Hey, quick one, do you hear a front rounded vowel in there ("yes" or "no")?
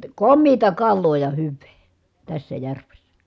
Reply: yes